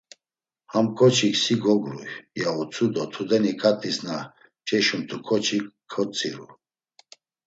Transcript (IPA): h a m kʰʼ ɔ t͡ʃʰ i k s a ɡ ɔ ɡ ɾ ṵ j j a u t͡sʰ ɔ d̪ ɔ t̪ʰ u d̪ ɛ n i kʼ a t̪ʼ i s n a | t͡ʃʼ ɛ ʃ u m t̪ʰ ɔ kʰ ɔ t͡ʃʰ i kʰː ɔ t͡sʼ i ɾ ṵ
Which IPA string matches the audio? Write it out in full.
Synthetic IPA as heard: h a m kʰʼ ɔ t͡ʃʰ i k s i ɡ ɔ ɡ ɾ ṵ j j a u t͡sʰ u d̪ ɔ t̪ʰ u d̪ ɛ n i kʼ a t̪ʼ i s n a | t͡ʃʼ ɛ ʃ u m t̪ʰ u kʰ ɔ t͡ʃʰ i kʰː ɔ t͡sʼ i ɾ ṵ